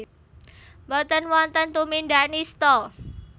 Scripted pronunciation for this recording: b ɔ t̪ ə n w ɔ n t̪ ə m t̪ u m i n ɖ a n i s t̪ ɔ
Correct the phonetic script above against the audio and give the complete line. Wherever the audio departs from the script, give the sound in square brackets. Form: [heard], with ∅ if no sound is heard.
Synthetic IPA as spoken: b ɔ t̪ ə n w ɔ n t̪ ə [n] t̪ u m i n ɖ a n i s t̪ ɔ